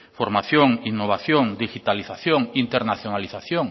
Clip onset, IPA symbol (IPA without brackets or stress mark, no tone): f